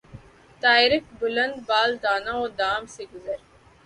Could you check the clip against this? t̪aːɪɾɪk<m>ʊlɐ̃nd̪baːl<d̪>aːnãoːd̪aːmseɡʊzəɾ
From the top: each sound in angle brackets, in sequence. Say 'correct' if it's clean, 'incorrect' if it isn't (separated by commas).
incorrect, correct